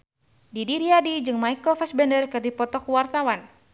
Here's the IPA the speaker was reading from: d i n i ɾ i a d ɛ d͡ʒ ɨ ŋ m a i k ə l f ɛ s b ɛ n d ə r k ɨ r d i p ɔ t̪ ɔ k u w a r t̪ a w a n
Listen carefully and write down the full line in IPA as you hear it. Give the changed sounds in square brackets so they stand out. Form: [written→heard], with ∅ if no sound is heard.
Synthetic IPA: d i [n→d] i ɾ i a d [ɛ→i] d͡ʒ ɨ ŋ m a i k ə l f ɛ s b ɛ n d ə r k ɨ r d i p ɔ t̪ ɔ k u w a r t̪ a w a n